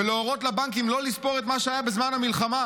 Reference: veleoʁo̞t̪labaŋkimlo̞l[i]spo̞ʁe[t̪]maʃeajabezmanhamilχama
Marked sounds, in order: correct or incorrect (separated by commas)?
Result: correct, correct